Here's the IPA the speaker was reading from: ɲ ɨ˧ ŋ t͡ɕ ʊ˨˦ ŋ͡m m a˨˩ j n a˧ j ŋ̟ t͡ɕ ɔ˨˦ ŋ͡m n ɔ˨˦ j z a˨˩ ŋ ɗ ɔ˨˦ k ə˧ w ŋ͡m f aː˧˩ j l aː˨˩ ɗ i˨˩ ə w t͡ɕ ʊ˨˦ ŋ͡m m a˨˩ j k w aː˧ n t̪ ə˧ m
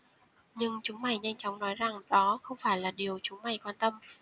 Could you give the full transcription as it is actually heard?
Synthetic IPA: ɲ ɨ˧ ŋ t͡ɕ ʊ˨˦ ŋ͡m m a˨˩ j ɲ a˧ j ŋ̟ t͡ɕ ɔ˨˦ ŋ͡m n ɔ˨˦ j z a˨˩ ŋ ɗ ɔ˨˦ x ə˧ w ŋ͡m f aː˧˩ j l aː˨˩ ɗ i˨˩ ə w t͡ɕ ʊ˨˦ ŋ͡m m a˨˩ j k w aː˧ n t̪ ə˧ m